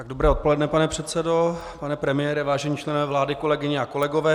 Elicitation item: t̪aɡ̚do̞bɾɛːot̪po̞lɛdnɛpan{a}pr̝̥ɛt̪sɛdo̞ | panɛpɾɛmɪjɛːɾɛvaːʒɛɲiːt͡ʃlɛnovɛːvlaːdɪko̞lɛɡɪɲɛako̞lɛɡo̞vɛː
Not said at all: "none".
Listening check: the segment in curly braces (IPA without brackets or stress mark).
ɛ